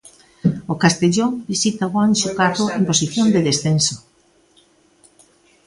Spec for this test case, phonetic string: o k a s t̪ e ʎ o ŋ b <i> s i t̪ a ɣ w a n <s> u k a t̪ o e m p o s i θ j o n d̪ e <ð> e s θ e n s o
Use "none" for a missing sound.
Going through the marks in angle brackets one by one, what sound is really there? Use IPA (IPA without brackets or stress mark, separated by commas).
i, ʃ, ð